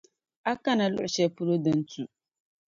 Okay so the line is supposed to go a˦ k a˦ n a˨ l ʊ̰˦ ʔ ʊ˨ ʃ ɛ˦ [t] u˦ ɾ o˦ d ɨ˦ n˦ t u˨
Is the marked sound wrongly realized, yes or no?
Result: yes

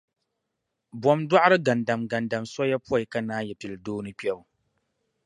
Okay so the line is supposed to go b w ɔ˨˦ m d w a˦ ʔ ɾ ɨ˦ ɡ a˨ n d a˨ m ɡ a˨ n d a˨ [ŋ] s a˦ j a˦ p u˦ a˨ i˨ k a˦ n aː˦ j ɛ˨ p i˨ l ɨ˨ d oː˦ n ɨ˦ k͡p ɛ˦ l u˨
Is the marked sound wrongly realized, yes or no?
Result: yes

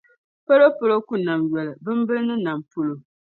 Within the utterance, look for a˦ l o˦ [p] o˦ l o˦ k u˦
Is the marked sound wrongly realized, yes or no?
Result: no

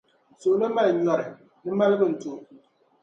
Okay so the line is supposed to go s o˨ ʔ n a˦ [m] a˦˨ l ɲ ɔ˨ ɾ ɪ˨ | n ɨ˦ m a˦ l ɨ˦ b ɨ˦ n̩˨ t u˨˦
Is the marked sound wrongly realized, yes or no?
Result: no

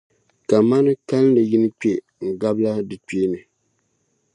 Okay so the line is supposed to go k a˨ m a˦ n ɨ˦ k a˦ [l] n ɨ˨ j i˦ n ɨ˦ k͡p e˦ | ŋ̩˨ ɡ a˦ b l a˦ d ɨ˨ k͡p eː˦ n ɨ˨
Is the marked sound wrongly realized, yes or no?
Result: no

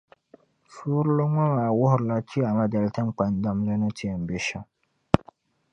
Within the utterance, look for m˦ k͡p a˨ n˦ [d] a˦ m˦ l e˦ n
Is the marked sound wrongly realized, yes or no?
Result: no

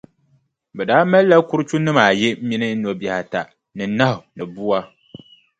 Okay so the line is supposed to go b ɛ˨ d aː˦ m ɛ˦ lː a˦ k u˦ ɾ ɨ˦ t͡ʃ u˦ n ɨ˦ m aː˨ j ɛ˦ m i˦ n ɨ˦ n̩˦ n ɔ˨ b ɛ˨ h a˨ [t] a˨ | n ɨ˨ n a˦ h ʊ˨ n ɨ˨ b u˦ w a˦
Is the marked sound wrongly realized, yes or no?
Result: no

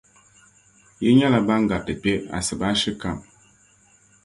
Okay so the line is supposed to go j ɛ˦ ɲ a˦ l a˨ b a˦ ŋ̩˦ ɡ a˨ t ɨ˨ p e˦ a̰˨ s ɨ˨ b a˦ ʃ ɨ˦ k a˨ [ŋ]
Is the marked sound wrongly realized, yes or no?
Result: yes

